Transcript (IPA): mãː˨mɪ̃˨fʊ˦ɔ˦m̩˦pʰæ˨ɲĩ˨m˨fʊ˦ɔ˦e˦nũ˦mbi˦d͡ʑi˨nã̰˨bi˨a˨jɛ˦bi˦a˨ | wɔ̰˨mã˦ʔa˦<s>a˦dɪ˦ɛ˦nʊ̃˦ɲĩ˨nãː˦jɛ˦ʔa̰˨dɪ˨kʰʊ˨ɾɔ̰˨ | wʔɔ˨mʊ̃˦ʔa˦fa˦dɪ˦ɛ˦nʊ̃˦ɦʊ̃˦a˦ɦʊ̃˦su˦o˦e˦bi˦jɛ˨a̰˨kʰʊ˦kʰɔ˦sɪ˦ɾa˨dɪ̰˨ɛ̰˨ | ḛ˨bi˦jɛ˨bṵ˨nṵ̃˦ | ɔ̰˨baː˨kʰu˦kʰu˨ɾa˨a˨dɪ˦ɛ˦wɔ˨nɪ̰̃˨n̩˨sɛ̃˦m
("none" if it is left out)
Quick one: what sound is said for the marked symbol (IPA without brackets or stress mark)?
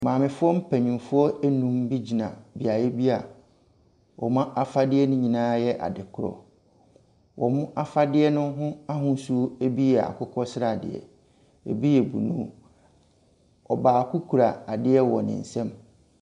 f